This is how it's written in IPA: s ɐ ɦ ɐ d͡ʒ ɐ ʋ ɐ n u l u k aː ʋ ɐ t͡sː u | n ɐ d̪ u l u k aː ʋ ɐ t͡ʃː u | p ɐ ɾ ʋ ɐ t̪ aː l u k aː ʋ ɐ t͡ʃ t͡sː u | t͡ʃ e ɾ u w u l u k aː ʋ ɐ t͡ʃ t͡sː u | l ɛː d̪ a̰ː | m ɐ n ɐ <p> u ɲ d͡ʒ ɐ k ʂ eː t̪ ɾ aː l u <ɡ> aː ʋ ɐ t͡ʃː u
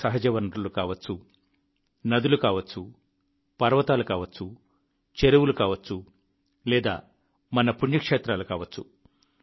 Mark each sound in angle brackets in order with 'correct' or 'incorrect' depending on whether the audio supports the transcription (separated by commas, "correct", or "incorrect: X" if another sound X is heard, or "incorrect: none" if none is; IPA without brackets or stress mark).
correct, incorrect: k